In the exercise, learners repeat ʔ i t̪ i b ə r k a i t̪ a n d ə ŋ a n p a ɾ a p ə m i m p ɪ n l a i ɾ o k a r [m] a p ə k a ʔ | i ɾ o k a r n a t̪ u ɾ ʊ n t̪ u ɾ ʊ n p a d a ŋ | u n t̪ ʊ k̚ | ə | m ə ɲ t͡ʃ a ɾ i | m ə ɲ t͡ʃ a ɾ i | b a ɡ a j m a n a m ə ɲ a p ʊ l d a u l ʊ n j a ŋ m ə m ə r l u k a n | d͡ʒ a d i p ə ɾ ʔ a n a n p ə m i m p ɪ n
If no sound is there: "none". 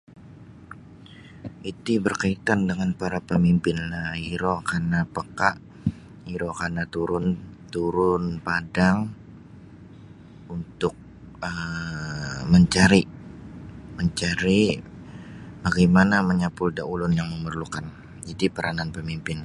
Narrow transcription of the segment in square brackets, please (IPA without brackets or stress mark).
n